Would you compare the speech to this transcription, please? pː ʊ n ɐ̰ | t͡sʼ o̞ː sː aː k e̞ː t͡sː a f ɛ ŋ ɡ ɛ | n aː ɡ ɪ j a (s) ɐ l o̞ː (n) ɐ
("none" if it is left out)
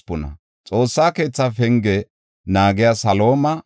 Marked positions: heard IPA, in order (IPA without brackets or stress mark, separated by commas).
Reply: s, m